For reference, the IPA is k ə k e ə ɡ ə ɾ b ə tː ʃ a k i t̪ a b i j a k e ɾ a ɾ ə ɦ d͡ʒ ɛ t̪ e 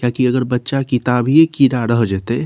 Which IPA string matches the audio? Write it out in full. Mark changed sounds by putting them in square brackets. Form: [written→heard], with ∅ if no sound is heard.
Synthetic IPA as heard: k [ə→a] k [e→i] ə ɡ ə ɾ b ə tː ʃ a k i t̪ a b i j [a→e] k [e→i] ɾ a ɾ ə ɦ d͡ʒ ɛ t̪ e